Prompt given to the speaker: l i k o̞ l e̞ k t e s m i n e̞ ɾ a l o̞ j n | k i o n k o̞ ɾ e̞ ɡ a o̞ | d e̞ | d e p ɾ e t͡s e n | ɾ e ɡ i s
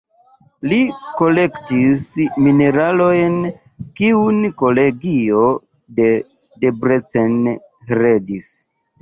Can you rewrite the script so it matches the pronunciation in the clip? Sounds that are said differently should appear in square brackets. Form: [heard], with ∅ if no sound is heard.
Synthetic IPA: l i k o̞ l e̞ k t [i] s m i n e̞ ɾ a l o̞ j n | k i [u] n k o̞ [l] e̞ ɡ [i] o̞ | d e̞ | d e [b] ɾ e t͡s e n | ɾ e [d] i s